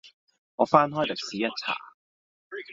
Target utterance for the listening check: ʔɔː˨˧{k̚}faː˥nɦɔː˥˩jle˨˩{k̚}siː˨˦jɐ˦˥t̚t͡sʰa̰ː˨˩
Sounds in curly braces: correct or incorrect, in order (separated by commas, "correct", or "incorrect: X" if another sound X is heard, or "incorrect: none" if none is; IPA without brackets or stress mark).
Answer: incorrect: none, correct